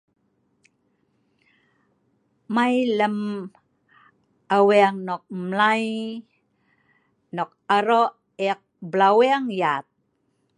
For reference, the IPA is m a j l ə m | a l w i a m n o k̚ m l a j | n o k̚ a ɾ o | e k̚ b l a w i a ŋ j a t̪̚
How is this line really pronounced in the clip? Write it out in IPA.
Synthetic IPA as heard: m a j l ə m | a w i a ŋ n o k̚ m l a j | n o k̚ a ɾ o | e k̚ b l a w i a ŋ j a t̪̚